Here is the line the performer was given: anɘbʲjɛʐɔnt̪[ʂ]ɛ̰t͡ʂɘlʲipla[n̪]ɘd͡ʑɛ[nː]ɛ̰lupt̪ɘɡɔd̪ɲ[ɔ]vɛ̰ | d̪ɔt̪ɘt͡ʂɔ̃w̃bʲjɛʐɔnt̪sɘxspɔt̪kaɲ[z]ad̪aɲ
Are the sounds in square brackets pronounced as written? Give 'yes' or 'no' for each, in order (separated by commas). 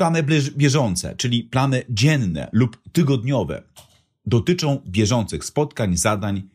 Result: no, yes, yes, yes, yes